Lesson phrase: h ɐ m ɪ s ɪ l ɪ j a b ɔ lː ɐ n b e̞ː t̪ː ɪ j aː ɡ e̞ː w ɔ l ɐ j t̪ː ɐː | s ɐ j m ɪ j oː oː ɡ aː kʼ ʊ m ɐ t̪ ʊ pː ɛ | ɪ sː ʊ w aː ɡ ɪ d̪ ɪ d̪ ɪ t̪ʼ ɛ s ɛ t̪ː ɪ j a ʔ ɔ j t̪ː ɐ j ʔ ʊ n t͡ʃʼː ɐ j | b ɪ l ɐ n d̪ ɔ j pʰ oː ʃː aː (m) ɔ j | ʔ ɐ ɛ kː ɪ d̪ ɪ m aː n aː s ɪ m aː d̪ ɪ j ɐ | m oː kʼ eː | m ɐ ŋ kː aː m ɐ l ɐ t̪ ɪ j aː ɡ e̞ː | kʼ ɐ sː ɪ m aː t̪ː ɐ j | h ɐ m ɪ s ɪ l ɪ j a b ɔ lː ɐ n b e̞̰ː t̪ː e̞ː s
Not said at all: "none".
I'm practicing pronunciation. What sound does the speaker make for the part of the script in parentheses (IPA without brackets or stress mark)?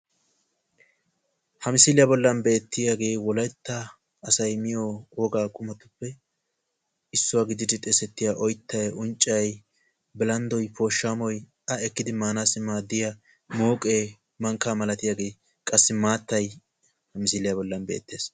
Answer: m